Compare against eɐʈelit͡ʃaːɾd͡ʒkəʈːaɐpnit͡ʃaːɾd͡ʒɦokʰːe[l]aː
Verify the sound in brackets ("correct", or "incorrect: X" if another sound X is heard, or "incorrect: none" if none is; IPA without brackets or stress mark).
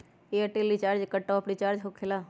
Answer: correct